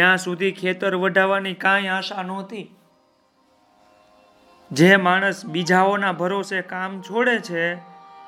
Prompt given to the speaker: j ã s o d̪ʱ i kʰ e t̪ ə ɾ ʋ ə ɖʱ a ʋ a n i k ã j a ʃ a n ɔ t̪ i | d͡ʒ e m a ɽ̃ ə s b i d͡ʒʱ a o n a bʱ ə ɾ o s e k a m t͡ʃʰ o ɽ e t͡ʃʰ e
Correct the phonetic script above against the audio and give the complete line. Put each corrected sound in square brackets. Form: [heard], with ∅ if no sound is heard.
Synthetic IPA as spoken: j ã s [u] d̪ʱ i kʰ e t̪ ə ɾ ʋ ə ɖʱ a ʋ a n i k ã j a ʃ a n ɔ t̪ i | d͡ʒ e m a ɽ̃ ə s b i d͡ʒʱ a o n a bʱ ə ɾ o s e k a m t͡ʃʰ o ɽ e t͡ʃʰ e